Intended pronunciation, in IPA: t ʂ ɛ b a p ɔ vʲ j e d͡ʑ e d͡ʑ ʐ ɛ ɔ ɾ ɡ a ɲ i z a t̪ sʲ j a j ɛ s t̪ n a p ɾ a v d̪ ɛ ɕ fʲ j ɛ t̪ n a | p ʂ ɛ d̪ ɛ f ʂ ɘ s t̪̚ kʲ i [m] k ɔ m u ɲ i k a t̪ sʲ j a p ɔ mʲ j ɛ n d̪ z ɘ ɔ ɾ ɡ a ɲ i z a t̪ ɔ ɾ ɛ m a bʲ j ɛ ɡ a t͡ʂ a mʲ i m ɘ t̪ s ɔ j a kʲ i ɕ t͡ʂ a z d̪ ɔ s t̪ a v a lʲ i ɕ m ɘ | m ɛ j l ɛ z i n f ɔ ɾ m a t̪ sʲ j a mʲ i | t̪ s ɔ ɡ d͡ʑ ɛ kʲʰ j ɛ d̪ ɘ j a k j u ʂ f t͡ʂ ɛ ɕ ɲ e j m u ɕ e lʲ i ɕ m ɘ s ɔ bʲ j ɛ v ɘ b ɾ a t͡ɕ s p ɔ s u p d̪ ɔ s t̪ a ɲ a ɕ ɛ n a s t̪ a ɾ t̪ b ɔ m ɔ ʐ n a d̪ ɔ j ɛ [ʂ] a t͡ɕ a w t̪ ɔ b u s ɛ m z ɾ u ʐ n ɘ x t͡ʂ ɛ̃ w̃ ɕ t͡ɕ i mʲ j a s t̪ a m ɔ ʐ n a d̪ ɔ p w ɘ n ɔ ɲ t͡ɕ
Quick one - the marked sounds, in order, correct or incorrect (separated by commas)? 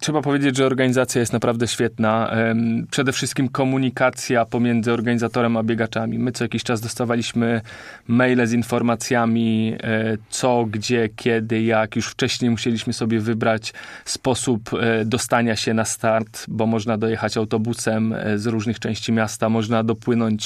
correct, incorrect